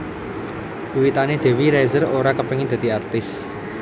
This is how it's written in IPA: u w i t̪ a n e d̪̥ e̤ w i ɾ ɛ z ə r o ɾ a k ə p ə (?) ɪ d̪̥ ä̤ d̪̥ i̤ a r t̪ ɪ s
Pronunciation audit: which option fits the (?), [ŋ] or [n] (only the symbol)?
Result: ŋ